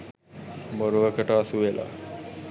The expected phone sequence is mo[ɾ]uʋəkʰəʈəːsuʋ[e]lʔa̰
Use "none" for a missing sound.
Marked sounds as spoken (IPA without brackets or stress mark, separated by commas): ɾ, e